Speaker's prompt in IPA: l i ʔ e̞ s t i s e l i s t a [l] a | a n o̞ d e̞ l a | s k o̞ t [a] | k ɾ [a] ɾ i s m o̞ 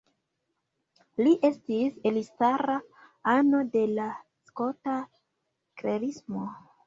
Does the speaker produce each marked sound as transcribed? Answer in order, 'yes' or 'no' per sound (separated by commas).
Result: no, yes, no